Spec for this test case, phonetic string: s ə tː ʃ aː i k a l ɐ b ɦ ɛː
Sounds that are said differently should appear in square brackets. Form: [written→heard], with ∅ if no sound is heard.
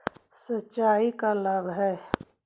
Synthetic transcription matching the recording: s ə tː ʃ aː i k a l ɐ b ɦ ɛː